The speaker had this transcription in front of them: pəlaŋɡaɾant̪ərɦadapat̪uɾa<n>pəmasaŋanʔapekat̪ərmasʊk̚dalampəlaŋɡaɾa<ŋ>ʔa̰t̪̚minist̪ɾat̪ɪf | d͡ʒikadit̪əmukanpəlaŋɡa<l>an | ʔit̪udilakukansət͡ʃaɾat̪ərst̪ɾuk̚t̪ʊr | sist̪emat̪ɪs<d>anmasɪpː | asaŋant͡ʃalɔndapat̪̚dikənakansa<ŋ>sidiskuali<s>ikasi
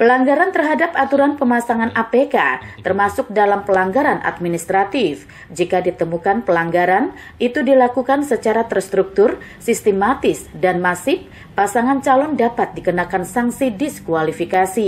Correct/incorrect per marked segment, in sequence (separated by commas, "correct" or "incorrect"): correct, incorrect, incorrect, correct, correct, incorrect